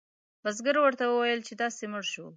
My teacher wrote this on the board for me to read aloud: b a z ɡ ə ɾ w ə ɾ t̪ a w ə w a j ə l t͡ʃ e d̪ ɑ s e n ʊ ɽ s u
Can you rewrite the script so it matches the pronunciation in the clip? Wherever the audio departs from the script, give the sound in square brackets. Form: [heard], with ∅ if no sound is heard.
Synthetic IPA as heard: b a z ɡ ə ɾ w ə ɾ t̪ a w ə w a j ə l t͡ʃ e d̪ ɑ s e [m] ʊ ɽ [ʃ] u